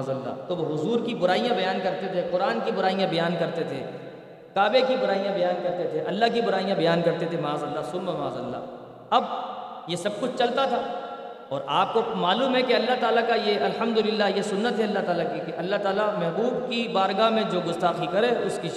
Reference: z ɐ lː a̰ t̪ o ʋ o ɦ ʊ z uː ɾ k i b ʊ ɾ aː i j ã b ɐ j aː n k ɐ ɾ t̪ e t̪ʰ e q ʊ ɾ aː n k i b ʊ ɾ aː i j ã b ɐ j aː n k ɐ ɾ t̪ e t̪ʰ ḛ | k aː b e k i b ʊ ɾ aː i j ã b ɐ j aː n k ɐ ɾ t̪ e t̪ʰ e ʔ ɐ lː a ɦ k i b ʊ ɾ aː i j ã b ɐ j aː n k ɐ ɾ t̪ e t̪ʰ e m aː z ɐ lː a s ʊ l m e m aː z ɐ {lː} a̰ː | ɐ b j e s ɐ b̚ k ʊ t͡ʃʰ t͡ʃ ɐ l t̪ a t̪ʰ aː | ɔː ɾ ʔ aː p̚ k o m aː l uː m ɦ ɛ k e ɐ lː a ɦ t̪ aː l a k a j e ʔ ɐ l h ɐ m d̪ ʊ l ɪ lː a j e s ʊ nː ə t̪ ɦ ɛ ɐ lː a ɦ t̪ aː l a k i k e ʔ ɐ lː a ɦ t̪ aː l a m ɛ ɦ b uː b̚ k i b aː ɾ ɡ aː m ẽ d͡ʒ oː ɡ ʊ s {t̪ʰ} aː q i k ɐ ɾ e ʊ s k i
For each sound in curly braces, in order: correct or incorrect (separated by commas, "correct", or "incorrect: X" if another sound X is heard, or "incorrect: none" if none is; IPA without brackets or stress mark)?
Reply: correct, incorrect: t̪